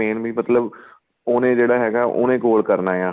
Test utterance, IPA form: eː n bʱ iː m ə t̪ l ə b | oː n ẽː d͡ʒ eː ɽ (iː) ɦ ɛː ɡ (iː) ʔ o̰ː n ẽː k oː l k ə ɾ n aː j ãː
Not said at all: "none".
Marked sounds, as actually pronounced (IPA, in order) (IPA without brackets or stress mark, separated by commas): aː, aː